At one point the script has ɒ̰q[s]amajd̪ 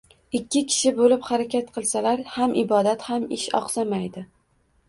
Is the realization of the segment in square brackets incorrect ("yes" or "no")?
no